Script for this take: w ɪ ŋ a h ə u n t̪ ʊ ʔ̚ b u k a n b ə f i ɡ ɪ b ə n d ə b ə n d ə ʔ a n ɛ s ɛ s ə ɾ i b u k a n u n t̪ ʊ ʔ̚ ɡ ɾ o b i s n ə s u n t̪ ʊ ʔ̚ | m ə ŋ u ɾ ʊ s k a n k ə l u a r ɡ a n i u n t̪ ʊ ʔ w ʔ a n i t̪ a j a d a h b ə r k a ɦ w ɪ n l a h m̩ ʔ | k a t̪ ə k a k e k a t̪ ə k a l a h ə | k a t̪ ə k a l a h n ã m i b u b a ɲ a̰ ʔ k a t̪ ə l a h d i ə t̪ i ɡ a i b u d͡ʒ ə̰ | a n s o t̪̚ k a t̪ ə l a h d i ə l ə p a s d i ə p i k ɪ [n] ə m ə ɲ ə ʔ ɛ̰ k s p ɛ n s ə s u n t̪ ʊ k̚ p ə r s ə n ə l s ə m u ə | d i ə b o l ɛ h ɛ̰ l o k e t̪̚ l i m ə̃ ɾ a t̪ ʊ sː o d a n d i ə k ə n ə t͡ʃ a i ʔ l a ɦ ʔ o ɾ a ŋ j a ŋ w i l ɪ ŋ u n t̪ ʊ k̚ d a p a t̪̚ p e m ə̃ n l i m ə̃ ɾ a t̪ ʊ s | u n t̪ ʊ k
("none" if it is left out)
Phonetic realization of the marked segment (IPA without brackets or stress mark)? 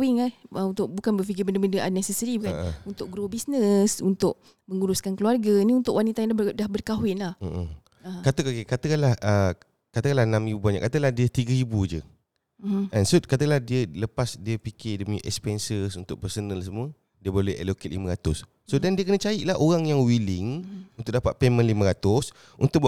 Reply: d